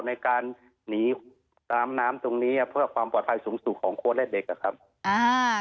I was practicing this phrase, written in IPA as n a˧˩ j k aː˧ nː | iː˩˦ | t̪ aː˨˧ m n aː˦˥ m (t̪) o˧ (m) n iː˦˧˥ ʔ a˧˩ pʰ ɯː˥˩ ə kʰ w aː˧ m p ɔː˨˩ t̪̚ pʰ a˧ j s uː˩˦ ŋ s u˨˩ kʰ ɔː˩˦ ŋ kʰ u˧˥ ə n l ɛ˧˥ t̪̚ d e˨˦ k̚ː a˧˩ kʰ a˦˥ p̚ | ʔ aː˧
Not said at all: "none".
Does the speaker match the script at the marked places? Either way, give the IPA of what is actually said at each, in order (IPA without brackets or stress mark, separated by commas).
t̪, ŋ